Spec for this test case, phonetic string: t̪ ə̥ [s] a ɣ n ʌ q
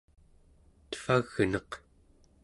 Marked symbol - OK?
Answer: no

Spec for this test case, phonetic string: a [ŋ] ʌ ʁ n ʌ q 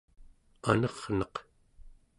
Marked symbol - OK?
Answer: no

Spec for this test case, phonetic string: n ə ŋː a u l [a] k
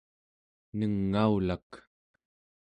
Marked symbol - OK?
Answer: yes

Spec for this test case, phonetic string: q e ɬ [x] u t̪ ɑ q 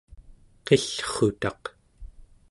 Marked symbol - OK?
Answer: no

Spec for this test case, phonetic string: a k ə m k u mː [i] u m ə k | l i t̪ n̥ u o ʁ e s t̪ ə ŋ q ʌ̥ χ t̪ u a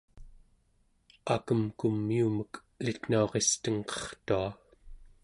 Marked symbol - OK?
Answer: yes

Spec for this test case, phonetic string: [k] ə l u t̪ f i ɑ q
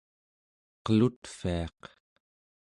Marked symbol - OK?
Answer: no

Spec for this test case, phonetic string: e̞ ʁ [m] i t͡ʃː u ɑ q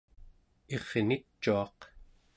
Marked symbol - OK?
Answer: no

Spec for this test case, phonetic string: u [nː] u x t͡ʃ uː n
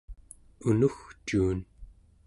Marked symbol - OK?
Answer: no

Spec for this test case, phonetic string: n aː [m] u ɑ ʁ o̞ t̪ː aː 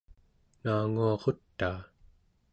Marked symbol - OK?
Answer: no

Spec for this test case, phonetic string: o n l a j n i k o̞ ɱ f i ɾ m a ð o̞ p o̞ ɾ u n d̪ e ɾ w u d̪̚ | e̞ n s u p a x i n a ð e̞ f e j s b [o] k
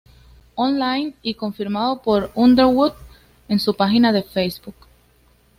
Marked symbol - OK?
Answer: no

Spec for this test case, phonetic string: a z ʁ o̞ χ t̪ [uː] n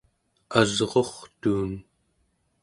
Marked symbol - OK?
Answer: yes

